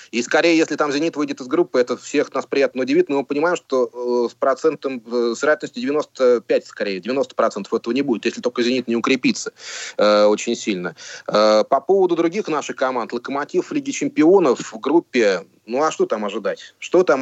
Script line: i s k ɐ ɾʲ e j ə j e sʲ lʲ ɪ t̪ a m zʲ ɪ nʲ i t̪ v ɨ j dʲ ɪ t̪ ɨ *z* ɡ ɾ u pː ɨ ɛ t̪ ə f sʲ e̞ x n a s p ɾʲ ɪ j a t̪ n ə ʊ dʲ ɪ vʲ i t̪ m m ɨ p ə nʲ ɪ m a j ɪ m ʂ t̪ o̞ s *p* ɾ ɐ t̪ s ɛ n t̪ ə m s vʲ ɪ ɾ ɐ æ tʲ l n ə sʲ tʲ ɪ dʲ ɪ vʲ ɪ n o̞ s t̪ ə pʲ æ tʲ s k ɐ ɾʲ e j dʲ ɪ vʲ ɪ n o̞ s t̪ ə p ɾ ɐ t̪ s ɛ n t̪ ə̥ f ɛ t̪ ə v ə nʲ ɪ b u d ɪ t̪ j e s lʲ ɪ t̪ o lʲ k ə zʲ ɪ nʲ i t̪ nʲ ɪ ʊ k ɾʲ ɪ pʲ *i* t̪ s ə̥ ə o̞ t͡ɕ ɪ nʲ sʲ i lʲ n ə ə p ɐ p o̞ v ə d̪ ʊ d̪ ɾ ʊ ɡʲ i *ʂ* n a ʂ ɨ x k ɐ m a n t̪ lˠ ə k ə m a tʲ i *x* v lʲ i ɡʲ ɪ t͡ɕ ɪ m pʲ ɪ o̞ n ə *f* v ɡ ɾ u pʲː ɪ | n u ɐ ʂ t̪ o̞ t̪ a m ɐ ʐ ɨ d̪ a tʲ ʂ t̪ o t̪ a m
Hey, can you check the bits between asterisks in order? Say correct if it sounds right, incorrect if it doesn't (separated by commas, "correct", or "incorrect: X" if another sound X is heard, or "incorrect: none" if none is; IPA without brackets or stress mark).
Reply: correct, correct, correct, incorrect: x, incorrect: f, correct